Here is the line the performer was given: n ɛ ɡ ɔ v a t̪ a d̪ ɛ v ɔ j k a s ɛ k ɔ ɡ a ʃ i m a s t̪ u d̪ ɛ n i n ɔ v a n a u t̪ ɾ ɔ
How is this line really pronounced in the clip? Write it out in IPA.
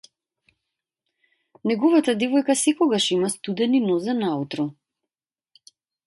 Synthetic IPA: n ɛ ɡ ɔ v a t̪ a d̪ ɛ v ɔ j k a s ɛ k ɔ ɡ a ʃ i m a s t̪ u d̪ ɛ n i n ɔ z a n a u t̪ ɾ ɔ